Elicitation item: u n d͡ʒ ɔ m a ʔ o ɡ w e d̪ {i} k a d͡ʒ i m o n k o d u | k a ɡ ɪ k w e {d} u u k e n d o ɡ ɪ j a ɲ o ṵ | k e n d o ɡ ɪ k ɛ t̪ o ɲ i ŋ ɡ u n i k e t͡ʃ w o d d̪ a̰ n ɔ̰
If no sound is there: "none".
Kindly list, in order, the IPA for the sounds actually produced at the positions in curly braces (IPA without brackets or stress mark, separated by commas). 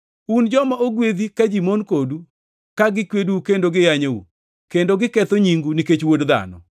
i, d